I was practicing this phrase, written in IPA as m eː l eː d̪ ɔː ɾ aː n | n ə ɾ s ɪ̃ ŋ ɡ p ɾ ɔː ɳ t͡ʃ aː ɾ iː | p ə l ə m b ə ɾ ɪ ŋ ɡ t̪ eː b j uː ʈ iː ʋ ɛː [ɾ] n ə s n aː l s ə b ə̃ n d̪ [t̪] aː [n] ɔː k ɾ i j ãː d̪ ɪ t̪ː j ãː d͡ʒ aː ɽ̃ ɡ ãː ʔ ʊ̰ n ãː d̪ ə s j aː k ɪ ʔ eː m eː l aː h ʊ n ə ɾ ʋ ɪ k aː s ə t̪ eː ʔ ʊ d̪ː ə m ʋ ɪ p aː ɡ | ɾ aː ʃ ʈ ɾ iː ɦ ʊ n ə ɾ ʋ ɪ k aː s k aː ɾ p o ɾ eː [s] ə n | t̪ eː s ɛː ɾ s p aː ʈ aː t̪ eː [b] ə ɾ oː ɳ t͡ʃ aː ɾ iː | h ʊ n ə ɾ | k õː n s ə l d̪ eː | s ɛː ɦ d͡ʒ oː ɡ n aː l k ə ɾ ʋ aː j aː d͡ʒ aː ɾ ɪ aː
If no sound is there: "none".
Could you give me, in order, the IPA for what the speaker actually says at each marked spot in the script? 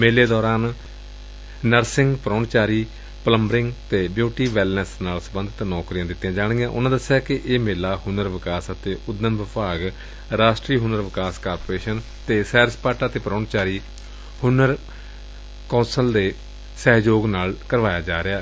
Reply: l, t̪, n, ʃ, p

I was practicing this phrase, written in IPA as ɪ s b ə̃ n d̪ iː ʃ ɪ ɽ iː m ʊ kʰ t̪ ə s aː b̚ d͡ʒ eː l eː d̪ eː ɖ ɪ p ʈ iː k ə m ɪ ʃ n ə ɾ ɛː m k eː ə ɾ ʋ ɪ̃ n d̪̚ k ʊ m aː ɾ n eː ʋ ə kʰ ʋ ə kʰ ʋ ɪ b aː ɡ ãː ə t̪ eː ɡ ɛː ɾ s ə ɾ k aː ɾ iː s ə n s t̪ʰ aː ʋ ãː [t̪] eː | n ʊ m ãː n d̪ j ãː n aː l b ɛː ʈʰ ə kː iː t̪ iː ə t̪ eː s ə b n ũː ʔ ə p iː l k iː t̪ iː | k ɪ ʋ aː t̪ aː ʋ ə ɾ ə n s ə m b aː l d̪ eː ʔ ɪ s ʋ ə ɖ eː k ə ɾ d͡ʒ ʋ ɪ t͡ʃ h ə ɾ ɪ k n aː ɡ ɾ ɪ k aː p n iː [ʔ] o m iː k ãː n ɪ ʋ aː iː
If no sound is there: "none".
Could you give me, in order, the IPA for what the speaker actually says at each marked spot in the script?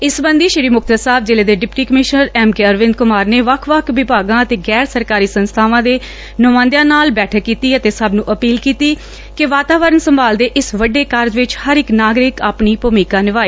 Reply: d̪, p

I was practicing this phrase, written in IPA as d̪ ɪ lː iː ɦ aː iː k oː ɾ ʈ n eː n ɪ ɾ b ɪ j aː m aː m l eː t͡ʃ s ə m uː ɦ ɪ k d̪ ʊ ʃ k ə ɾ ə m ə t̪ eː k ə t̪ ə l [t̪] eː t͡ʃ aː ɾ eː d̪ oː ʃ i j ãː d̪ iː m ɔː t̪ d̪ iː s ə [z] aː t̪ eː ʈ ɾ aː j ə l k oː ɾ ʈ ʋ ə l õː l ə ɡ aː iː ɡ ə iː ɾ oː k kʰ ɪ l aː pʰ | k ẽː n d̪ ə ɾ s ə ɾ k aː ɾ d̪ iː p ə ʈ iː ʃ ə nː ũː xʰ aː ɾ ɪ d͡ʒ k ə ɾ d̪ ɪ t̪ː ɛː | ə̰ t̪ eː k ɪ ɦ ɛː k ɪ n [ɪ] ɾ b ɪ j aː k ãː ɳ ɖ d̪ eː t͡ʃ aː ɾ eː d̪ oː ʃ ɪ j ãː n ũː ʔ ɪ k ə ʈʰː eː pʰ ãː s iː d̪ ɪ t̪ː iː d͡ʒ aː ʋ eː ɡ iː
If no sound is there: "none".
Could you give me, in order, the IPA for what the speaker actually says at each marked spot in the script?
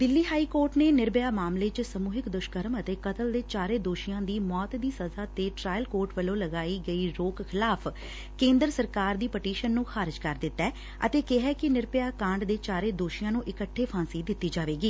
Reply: d̪, z, ɪ

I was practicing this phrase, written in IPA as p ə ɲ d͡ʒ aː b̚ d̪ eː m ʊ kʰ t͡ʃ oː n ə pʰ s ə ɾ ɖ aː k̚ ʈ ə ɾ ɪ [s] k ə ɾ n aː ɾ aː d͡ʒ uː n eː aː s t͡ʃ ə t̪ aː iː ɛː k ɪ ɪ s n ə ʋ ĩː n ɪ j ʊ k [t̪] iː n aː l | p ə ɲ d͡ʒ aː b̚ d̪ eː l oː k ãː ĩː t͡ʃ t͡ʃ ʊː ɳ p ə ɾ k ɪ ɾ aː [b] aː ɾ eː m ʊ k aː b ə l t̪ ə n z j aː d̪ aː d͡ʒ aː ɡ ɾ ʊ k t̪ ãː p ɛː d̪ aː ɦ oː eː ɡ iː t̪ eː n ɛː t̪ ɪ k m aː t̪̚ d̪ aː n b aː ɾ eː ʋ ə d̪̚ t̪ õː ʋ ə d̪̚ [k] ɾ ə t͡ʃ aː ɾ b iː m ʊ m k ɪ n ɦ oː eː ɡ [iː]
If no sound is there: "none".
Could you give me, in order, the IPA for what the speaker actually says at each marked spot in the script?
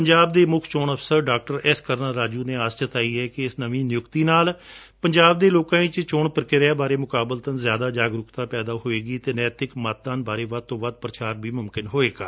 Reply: s, t̪, b, p, aː

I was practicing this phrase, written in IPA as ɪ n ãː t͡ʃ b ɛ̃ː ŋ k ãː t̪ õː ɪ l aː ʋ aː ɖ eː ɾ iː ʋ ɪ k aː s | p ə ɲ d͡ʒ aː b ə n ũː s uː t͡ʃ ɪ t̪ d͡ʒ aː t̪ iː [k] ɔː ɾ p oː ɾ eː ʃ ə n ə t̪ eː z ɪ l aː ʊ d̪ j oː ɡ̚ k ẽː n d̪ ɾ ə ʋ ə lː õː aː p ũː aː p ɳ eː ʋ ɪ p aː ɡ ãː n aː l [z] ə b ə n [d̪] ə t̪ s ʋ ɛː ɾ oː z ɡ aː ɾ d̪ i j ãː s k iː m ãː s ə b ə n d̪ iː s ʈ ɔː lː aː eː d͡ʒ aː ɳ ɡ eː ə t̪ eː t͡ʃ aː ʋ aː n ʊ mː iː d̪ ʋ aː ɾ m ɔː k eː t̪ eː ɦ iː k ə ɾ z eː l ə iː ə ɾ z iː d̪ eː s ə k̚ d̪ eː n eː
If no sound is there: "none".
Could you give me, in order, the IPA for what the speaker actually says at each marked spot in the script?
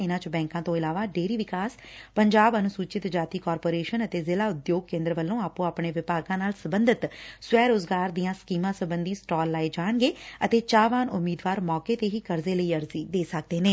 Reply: k, s, d̪

